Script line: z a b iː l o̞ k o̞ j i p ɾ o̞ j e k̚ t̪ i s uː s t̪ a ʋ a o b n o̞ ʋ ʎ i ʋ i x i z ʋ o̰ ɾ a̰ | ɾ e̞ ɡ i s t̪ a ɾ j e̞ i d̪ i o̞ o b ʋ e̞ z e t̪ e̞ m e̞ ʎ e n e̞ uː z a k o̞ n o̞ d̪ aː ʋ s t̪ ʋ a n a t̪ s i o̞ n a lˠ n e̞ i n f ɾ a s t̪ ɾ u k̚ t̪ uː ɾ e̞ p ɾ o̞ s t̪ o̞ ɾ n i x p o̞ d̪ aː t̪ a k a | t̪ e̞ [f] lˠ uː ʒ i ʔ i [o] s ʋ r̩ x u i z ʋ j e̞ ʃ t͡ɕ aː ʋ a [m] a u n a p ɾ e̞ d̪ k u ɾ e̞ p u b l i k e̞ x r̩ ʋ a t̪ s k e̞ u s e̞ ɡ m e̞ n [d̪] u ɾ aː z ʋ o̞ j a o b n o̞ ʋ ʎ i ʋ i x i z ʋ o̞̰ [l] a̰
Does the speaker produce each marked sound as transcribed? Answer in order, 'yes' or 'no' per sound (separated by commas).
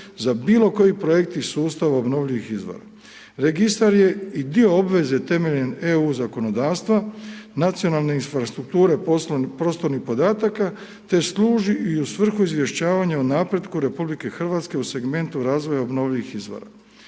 no, no, no, no, no